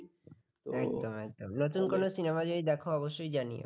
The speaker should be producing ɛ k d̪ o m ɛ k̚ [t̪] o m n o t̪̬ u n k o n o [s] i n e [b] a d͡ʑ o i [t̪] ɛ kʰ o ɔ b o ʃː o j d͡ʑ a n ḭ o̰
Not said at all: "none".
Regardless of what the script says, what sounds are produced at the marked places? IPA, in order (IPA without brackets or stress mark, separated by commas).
d̪, s, m, d̪